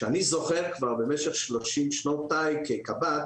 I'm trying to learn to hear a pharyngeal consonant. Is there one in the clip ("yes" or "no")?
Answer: no